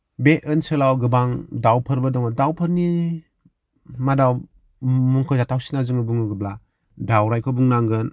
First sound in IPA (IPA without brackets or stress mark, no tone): b